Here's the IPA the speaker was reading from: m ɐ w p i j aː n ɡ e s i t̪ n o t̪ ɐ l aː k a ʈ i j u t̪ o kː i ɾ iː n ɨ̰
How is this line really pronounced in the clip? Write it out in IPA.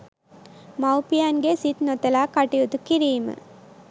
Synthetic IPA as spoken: m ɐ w p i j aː n ɡ e s i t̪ n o t̪ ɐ l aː k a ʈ i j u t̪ u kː i ɾ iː m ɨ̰